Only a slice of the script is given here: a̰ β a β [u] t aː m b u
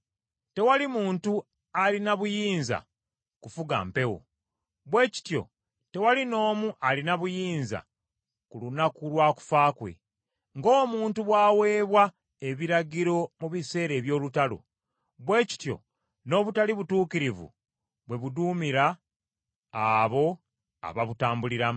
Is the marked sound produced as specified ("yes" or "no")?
yes